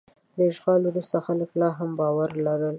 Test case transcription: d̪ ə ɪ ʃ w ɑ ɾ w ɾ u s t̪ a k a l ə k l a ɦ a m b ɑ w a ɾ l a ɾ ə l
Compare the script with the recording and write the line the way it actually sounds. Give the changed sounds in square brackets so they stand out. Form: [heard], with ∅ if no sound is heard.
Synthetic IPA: d̪ ə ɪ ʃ [ɣ] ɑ [l] w ɾ u s t̪ a [x] a l ə k l [ɑ] ɦ a m b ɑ w a ɾ l a ɾ ə l